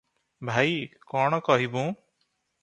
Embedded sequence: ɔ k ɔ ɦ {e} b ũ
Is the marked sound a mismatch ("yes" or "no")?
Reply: yes